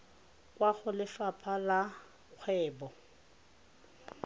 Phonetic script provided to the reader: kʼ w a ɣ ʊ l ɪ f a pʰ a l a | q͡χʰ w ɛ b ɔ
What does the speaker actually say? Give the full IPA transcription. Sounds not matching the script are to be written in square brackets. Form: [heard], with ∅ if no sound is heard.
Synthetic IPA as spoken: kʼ w a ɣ ʊ l ɪ f a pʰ a l a | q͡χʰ w [ɛː] b ɔ